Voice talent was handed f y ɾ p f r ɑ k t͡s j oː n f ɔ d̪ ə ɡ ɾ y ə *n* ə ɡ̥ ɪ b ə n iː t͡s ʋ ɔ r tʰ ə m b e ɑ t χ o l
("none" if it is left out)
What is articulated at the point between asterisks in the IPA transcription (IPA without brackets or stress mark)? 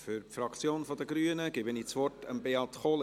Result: n